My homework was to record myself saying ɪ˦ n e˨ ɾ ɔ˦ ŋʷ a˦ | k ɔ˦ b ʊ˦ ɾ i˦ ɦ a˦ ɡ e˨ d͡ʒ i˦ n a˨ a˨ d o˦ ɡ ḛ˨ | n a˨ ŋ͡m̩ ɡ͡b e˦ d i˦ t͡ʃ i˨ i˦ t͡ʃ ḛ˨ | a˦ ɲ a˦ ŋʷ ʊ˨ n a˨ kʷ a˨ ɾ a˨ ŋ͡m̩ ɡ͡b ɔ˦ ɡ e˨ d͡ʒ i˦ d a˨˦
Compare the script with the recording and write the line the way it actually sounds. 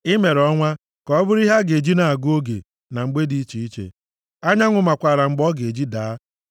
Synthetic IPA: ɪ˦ m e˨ ɾ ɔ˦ ŋʷ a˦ | k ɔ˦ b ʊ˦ ɾ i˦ ɦ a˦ ɡ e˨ d͡ʒ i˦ n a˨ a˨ ɡ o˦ ɡ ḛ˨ | n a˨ ŋ͡m̩ ɡ͡b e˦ d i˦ t͡ʃ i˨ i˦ t͡ʃ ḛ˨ | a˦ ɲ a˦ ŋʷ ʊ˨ m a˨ kʷ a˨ ɾ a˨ ŋ͡m̩ ɡ͡b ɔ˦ ɡ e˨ d͡ʒ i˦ d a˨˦